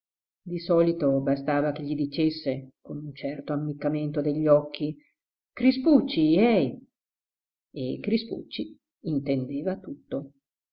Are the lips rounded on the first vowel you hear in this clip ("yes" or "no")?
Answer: no